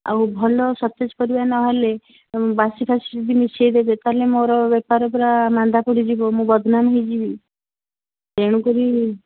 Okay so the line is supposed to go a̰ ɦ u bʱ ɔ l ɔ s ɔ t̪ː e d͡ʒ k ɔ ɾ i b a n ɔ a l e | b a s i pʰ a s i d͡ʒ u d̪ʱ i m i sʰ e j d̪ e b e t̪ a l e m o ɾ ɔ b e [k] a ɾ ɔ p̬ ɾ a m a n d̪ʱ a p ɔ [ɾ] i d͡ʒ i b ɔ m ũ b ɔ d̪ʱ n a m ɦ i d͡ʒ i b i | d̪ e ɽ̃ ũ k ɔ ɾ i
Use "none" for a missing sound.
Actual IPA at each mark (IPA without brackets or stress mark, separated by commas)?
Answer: p, ɽ